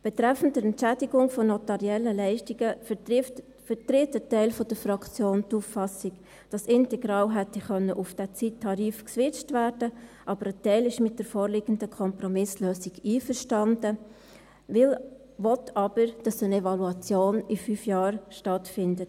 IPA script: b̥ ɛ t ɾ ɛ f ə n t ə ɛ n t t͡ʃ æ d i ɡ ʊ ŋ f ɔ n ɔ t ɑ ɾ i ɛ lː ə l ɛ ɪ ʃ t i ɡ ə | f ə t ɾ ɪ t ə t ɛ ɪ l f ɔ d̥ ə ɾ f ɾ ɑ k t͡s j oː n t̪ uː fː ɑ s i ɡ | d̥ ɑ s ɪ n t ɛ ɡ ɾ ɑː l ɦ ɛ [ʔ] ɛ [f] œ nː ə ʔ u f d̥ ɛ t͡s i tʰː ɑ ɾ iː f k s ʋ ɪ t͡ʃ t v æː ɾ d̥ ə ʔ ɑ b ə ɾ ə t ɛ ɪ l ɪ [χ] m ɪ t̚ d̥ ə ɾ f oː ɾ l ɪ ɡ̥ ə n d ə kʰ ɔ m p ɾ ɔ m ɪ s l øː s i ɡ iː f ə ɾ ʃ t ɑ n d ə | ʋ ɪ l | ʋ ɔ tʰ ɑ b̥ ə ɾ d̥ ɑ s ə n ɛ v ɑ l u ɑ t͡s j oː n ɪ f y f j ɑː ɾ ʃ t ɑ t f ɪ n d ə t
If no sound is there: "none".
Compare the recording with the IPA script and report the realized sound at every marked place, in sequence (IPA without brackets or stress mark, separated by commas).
t, χ, ʃ